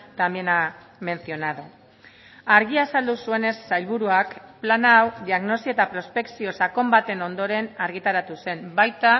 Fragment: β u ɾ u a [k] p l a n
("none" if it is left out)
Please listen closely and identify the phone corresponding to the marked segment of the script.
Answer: k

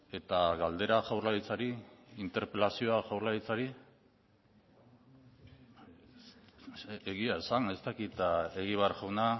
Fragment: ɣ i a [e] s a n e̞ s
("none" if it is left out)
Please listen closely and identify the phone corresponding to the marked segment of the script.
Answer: e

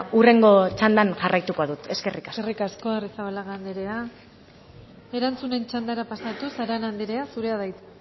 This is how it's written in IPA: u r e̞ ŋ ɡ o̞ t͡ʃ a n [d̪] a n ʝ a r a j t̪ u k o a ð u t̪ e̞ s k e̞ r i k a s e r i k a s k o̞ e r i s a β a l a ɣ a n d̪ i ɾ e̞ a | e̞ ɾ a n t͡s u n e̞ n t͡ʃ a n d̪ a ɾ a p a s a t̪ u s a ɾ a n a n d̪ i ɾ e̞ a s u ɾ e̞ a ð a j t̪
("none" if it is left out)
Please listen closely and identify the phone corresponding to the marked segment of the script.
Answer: d̪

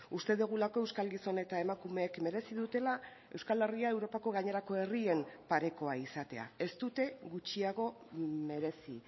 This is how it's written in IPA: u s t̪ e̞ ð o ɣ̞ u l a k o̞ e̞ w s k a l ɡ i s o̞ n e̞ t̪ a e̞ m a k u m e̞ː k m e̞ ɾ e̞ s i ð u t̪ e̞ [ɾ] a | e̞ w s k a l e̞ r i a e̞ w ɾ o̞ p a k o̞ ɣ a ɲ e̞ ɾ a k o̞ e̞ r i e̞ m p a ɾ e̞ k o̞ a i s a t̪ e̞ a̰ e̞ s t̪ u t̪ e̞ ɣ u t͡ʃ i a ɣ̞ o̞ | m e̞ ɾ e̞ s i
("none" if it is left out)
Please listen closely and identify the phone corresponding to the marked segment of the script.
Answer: l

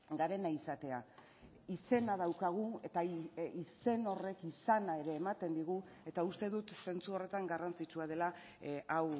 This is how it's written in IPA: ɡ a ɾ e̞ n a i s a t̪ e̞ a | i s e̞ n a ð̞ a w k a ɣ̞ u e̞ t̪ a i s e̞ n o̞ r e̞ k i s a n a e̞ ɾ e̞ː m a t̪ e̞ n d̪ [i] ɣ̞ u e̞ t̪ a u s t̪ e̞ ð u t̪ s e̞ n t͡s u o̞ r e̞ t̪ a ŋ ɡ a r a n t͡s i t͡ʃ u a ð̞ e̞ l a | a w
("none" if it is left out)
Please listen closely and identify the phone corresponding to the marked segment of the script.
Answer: i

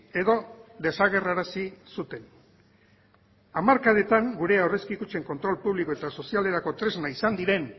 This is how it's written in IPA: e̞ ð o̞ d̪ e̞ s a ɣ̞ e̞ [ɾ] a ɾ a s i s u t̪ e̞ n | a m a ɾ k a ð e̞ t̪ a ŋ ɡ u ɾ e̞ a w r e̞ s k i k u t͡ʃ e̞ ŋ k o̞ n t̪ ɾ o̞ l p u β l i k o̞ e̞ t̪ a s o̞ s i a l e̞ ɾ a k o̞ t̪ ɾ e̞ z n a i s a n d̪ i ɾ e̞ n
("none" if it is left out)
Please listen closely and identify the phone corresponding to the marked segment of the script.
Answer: r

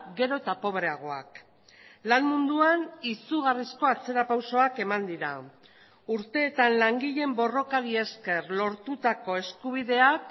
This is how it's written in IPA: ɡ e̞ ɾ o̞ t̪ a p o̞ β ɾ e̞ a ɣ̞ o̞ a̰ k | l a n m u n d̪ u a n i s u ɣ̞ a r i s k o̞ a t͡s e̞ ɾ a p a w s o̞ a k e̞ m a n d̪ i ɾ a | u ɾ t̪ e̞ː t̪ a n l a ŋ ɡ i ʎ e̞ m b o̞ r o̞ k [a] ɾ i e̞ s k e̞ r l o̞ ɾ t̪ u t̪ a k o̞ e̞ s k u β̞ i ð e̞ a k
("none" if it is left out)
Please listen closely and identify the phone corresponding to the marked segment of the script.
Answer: a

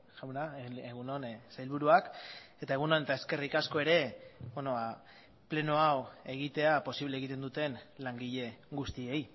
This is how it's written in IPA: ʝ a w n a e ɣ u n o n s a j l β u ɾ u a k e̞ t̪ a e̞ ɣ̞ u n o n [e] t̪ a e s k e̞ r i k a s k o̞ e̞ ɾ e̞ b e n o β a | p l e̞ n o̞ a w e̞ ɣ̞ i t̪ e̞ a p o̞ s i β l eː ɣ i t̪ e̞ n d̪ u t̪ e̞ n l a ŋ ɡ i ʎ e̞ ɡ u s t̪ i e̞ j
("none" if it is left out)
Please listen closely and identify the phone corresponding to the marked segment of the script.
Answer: e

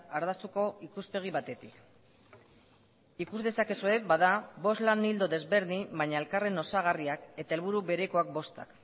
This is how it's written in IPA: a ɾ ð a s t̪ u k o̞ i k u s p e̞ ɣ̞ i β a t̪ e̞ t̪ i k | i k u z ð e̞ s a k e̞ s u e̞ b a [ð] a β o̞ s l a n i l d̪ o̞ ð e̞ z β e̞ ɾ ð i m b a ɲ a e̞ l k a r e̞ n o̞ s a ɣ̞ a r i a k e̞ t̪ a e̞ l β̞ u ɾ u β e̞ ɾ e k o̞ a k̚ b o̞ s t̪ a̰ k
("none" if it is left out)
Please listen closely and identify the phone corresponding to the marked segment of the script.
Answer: ð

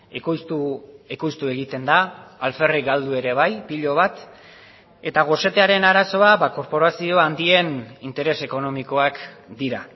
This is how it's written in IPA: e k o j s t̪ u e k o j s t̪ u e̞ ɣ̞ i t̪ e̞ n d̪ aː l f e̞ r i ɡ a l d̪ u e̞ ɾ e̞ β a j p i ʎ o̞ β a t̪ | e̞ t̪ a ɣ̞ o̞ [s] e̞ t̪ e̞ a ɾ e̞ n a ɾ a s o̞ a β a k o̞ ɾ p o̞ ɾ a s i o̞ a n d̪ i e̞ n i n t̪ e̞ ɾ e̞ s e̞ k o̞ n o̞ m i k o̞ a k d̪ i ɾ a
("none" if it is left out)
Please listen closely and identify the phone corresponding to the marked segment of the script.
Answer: s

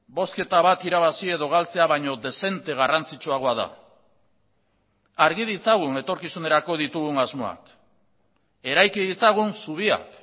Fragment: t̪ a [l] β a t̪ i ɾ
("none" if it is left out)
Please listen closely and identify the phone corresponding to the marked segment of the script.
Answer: none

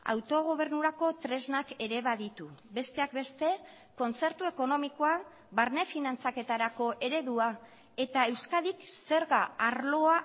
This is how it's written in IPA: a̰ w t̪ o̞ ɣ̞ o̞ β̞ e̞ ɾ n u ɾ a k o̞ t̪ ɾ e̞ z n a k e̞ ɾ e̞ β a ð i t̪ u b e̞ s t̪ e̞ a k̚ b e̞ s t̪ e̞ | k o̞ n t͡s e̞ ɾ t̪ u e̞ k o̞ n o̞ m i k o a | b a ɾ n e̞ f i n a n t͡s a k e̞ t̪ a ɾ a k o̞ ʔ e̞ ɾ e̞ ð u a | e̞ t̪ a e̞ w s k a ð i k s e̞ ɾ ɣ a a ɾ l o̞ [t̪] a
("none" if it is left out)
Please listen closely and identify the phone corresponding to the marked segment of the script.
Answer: none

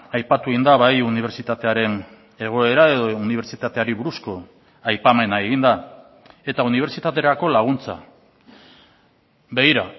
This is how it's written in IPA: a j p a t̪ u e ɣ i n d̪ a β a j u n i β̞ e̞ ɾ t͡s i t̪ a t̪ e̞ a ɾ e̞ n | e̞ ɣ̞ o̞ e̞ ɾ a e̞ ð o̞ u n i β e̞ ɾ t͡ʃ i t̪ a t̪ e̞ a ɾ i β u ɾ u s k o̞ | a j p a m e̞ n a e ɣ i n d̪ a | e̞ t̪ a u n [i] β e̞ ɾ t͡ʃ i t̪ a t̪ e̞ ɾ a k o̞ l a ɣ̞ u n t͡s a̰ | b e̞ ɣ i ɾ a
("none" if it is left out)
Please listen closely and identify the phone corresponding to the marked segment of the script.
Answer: i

